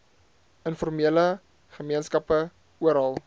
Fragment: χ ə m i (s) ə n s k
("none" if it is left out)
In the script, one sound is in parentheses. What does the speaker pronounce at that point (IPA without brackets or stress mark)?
none